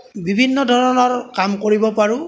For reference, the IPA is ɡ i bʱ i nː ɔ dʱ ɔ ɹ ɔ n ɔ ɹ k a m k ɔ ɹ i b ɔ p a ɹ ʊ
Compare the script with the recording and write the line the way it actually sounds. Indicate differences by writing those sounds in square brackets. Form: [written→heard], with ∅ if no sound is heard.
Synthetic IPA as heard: [ɡ→b] i bʱ i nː ɔ dʱ ɔ ɹ ɔ n ɔ ɹ k a m k [ɔ→o] ɹ i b ɔ p a ɹ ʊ